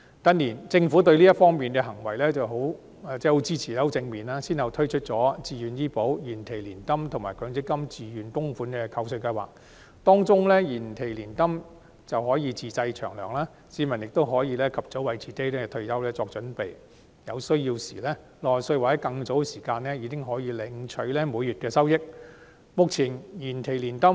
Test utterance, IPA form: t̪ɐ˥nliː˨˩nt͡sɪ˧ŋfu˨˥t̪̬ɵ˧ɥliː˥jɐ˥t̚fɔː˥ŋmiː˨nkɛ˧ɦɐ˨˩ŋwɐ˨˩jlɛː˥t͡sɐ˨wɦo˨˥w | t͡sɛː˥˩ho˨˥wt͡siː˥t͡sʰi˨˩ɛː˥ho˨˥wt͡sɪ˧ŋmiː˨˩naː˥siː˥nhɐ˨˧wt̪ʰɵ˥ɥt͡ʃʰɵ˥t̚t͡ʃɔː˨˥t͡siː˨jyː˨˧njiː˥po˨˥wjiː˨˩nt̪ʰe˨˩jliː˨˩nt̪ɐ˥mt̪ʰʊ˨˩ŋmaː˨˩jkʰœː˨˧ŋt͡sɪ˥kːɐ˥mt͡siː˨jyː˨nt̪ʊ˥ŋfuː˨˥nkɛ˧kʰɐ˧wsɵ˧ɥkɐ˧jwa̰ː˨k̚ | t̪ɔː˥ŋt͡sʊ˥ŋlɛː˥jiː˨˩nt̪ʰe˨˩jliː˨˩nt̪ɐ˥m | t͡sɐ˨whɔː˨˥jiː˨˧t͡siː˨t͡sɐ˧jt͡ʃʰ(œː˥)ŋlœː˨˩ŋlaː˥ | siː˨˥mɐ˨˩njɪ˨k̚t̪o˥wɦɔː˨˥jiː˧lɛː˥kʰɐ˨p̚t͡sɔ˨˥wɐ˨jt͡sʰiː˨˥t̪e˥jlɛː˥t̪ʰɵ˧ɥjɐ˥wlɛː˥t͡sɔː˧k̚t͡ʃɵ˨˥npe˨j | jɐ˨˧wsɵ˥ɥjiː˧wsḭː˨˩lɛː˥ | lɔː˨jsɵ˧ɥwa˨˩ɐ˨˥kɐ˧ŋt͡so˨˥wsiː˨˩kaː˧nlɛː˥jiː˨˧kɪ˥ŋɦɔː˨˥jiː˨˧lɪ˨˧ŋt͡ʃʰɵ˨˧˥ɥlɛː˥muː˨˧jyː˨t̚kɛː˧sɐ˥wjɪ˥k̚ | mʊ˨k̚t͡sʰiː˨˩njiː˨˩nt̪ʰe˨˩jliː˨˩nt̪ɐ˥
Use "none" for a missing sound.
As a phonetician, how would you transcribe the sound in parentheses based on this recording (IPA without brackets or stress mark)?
œː˨˩